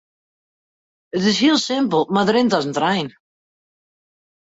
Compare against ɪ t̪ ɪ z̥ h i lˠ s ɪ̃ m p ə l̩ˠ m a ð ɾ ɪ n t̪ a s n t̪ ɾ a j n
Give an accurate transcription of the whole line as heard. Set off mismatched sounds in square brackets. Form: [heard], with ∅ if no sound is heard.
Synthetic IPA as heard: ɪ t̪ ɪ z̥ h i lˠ s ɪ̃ m p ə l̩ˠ m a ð ɾ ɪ n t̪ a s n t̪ ɾ a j n

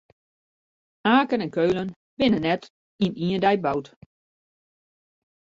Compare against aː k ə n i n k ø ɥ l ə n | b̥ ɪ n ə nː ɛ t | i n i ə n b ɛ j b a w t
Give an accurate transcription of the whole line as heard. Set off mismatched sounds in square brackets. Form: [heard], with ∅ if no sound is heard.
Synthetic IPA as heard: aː k ə n [ɛ] n k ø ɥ l ə n | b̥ ɪ n ə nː ɛ t | i n i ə n [d] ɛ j b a w t

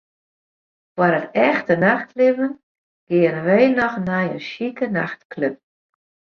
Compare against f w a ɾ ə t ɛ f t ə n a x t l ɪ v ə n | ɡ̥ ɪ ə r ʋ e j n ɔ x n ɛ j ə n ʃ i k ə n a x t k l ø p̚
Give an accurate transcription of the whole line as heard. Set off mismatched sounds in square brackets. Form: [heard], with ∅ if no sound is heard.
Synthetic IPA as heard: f w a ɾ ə t ɛ [x] t ə n a x t l ɪ v ə n | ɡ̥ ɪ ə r ʋ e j n ɔ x n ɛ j ə n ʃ i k ə n a x t k l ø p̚

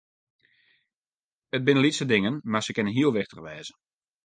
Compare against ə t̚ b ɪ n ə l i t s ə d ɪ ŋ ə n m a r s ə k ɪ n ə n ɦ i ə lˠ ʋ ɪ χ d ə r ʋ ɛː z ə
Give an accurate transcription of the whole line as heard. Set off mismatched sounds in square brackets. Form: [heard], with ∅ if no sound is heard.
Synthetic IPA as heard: ə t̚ b ɪ n ə l i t s ə d ɪ ŋ ə n m a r s ə k ɪ n ə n ɦ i ə lˠ ʋ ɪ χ [t] ə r ʋ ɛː z ə

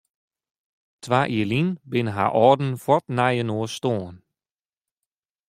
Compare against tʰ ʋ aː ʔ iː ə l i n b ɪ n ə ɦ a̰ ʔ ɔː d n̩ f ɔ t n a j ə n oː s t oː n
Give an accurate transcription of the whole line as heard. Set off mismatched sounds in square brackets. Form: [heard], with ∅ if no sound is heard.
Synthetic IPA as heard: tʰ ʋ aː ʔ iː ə l i n b ɪ n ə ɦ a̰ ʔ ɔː d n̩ f ɔ t n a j ə n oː s t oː n

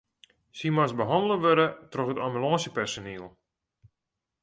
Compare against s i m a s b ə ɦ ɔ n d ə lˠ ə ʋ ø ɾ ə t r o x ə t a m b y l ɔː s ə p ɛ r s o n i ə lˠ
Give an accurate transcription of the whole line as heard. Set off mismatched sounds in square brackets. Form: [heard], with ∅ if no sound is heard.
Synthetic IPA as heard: s i m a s b ə ɦ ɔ n d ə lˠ ə ʋ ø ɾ ə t r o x ə t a m b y l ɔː s ə p ɛ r s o n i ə lˠ

